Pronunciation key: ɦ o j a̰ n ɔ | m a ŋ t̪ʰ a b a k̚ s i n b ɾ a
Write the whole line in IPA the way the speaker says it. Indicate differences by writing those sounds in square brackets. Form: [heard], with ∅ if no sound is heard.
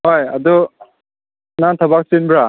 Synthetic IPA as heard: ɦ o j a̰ [d] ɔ | [n] a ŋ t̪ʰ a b a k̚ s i n b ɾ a